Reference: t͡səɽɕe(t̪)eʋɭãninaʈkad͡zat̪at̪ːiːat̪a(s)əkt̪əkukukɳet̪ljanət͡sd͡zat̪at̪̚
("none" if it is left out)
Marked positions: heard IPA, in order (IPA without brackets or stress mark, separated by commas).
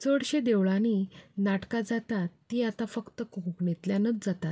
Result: d̪, f